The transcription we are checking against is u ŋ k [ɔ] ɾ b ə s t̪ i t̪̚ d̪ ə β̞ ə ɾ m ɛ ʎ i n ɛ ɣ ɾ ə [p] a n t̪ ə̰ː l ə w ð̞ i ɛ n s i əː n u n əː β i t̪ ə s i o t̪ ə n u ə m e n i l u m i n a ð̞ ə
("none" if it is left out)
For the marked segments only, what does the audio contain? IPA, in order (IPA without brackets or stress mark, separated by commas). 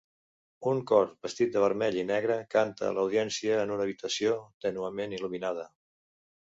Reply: ɔ, k